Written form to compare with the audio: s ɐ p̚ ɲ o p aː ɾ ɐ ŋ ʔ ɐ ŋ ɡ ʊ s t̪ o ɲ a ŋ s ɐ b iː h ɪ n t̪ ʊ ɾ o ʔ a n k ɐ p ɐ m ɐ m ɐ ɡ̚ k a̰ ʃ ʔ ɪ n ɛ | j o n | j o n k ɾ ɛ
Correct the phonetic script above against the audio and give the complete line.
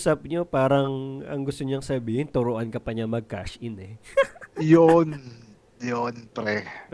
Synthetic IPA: s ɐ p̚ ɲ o p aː ɾ ɐ ŋ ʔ ɐ ŋ ɡ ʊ s t̪ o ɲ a ŋ s ɐ b iː h ɪ n t̪ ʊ ɾ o ʔ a n k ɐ p ɐ ɲ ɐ m ɐ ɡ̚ k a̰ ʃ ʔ ɪ n ɛ | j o n | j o n p ɾ ɛ